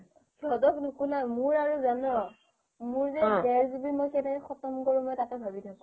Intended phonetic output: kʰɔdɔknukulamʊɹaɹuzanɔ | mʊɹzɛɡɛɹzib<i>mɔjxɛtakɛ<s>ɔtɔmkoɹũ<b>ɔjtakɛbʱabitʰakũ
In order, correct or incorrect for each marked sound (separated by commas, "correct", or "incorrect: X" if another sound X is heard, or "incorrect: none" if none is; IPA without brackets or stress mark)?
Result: correct, incorrect: x, incorrect: m